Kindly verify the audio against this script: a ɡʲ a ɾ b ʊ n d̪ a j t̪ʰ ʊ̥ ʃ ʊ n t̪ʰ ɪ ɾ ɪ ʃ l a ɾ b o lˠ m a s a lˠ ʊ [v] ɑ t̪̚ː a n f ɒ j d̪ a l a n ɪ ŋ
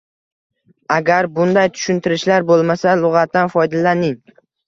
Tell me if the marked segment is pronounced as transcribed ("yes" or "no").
no